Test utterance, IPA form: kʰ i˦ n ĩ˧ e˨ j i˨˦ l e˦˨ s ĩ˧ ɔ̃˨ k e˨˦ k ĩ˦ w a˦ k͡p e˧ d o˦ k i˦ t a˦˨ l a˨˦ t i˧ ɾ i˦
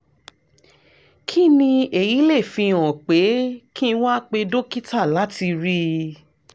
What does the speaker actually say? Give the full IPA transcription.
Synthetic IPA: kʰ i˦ n ĩ˧ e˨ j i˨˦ l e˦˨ f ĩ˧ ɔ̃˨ k͡p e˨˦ k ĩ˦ w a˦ k͡p e˧ d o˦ k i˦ t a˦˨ l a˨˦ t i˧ ɾ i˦